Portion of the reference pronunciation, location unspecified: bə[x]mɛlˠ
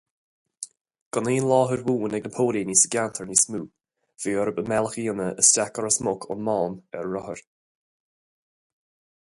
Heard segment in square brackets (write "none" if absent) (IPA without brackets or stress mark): none